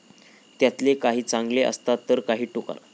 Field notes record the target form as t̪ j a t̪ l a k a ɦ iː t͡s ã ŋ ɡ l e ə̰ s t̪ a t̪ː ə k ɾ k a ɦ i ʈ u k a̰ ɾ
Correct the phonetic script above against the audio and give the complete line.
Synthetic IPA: t̪ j a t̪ l e k a ɦ iː t͡s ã ŋ ɡ l e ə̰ s t̪ a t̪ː ə ɾ k a ɦ iː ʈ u k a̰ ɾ

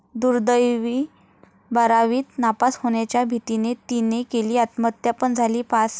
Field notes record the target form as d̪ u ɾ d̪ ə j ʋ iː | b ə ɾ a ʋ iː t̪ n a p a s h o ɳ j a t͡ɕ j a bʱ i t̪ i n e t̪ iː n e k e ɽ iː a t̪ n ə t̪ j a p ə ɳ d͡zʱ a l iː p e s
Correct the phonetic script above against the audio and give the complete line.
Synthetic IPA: d̪ u ɾ d̪ ə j ʋ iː | b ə ɾ a ʋ iː t̪ n a p a s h o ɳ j a t͡ɕ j a bʱ i t̪ i n e t̪ i n e k e l iː a t̪ m ə t̪ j a p ə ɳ d͡zʱ a l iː p a s

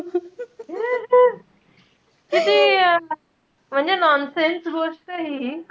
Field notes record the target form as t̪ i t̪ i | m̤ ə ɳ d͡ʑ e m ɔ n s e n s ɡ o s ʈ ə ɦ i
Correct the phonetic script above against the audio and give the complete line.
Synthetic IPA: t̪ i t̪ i | m̤ ə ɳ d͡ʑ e n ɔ n s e n s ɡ o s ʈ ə ɦ i

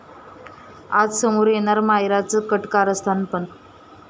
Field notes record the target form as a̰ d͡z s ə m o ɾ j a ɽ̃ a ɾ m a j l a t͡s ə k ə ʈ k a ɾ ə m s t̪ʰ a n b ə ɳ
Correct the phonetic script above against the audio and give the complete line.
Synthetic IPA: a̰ d͡z s ə m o ɾ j e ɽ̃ a ɾ m a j ɾ a t͡s ə k ə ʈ k a ɾ ə s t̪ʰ a n p ə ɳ

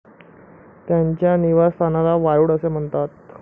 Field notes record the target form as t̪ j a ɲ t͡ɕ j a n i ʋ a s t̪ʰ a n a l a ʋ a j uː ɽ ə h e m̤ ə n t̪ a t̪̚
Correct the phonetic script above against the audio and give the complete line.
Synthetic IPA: t̪ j a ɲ t͡ɕ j a n i ʋ a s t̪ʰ a n a l a ʋ a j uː ɽ ə s e m̤ ə ɳ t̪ a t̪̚

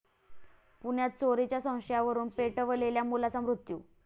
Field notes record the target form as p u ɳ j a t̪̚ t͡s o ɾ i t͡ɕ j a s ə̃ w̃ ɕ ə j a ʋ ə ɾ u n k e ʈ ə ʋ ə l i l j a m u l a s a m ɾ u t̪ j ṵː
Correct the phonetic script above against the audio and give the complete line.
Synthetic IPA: p u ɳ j a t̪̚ t͡s o ɾ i t͡ɕ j a s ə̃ w̃ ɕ ə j a ʋ ə ɾ uː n p e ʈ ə ʋ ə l e l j a m u l a t͡s a m ɾ u t̪ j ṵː

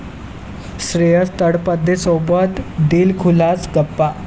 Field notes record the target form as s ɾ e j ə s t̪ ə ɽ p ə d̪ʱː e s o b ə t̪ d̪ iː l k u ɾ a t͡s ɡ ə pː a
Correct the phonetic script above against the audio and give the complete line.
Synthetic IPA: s ɾ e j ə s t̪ ə ɽ p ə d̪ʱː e s o b ə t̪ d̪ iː l kʰ u l a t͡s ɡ ə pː a

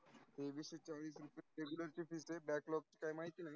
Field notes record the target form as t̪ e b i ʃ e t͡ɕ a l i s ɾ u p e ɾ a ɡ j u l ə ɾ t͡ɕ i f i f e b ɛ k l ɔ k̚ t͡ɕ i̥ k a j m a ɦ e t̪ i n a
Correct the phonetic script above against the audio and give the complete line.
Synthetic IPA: t̪ e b i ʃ e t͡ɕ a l i s ɾ u p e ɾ e ɡ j u l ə ɾ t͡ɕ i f i s e b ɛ k l ɔ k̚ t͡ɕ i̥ k a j m a ɦ i t̪ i n a

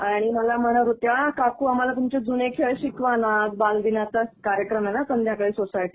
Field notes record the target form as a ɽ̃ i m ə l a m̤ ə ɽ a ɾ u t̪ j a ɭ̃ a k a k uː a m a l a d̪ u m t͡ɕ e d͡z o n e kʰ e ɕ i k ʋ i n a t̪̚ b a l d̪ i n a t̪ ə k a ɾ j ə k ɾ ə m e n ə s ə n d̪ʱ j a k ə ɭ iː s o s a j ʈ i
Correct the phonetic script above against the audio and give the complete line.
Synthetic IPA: a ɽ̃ i m ə l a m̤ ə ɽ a ɾ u t̪ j a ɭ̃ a k a k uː a m a l a t̪ u m t͡ɕ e d͡z u n e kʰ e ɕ i k ʋ a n a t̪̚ b a l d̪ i n a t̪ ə k a ɾ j ə k ɾ ə m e n a s ə n d̪ʱ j a k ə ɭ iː s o s a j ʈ i

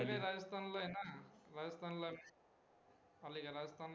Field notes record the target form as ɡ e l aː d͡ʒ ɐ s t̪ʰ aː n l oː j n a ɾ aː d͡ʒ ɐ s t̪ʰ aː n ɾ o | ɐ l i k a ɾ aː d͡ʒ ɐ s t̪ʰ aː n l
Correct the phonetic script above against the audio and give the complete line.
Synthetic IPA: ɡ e ɾ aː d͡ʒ ɐ s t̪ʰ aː n l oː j n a ɾ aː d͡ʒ ɐ s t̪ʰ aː n l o | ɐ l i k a ɾ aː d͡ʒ ɐ s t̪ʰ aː n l

